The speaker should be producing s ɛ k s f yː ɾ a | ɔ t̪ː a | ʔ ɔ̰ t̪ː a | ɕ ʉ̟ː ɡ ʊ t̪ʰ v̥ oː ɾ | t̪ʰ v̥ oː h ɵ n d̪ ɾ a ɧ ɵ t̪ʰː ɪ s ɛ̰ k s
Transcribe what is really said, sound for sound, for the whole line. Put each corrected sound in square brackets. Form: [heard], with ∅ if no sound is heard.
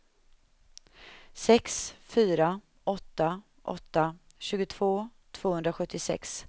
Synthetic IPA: s ɛ k s f yː ɾ a | ɔ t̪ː a | ʔ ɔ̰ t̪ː a | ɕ ʉ̟ː ɡ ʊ t̪ʰ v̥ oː [∅] | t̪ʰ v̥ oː h ɵ n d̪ ɾ a ɧ ɵ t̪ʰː ɪ s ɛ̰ k s